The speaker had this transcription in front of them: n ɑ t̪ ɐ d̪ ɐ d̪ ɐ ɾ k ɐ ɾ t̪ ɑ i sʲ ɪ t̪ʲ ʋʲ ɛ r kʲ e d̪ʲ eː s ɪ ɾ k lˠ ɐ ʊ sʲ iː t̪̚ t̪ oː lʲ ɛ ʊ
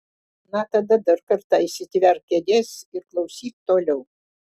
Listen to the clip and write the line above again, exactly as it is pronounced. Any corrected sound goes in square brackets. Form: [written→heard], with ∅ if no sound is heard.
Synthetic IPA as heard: n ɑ t̪ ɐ d̪ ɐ d̪ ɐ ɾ k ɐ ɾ t̪ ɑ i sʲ ɪ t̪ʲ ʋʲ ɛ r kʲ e d̪ʲ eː s ɪ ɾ k lˠ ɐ ʊ sʲ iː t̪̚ t̪ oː lʲ ɛ ʊ